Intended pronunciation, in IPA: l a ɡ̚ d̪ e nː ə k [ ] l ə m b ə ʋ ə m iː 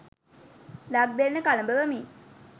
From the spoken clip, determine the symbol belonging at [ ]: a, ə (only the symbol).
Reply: a